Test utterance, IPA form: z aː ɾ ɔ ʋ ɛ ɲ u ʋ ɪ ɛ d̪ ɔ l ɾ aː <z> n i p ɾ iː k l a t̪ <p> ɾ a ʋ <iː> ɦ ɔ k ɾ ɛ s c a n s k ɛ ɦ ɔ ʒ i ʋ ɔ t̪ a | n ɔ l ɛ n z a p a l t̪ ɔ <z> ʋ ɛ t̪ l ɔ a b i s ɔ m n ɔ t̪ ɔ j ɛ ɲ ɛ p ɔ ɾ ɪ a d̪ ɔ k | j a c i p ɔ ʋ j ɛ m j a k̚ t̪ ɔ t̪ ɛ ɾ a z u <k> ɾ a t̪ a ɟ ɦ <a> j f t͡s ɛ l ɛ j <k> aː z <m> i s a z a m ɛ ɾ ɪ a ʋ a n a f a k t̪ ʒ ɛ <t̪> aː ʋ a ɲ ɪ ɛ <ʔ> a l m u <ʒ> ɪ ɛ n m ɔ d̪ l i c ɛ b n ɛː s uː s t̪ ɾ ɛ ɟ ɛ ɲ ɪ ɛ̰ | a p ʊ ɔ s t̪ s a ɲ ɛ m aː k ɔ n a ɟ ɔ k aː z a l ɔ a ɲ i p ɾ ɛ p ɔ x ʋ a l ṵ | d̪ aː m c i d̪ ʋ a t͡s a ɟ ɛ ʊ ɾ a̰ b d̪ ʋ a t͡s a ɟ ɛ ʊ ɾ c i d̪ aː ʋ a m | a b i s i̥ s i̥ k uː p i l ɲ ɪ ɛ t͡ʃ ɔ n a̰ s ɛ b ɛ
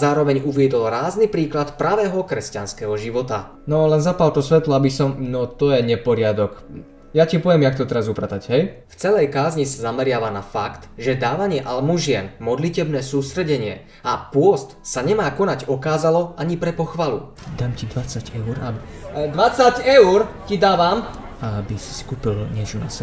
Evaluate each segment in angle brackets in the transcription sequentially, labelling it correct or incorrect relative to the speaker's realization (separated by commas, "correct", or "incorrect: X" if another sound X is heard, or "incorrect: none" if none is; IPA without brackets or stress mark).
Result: correct, correct, incorrect: ɛː, incorrect: s, incorrect: p, incorrect: ɛ, correct, incorrect: ɲ, incorrect: d̪, correct, correct